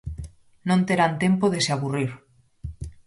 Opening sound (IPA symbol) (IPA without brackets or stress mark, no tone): n